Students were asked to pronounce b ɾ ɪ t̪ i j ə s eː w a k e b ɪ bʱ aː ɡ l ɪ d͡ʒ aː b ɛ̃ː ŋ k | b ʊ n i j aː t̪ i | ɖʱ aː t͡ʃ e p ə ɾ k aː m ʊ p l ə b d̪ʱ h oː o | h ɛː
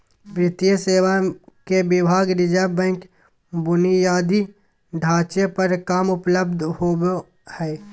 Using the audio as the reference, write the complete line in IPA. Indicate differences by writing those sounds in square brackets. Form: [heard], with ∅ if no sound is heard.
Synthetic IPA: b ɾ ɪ t̪ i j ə s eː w a k e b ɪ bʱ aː ɡ [ɾ] ɪ d͡ʒ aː b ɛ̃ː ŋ k | b ʊ n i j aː [d̪] i | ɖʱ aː t͡ʃ e p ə ɾ k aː m ʊ p l ə b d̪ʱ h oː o | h ɛː